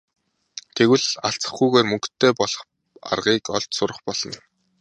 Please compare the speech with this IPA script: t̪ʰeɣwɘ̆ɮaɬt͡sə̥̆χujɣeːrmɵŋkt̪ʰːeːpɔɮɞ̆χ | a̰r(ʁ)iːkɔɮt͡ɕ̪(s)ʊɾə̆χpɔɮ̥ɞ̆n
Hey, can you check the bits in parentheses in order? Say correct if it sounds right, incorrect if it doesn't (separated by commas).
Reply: correct, correct